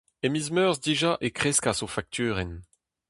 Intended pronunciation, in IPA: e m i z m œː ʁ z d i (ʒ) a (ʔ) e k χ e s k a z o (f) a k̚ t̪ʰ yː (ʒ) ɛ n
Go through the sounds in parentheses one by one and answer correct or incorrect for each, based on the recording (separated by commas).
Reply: correct, correct, correct, incorrect